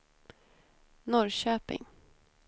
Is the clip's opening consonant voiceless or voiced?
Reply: voiced